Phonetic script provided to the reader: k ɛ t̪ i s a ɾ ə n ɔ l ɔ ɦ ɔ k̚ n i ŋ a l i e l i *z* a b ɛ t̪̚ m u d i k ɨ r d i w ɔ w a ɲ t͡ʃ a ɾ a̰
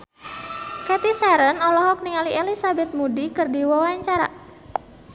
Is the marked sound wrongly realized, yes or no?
yes